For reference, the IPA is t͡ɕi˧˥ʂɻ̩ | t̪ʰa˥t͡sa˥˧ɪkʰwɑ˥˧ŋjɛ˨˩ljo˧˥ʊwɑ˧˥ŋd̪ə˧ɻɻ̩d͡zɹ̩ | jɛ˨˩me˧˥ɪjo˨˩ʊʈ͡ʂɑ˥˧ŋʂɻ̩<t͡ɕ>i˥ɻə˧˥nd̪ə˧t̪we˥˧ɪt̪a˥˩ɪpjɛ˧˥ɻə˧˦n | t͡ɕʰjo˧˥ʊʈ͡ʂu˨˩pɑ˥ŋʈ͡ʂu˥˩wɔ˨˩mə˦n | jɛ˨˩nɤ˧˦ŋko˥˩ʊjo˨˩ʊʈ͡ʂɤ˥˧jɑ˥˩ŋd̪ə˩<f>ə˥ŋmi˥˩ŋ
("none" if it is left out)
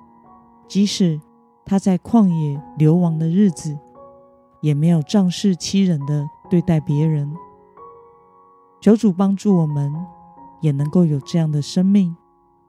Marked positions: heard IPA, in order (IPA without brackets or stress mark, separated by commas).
t͡ɕʰ, ʂ